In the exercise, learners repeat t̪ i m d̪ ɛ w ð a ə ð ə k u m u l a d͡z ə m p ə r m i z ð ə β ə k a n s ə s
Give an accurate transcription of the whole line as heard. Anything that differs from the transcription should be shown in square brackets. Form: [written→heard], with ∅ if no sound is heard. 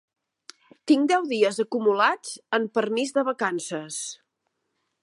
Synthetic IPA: t̪ i [m→ŋ] d̪ ɛ w ð [a→i] ə [ð→z] ə k u m u l a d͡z ə m p ə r m i z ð ə β ə k a n s ə s